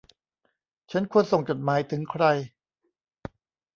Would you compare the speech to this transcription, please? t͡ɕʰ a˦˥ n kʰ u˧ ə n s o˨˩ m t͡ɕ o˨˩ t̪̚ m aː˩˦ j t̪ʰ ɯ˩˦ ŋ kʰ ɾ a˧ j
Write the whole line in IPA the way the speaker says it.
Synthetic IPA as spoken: t͡ɕʰ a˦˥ n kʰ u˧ ə n s o˨˩ ŋ t͡ɕ o˨˩ t̪̚ m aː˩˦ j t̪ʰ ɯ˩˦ ŋ kʰ ɾ a˧ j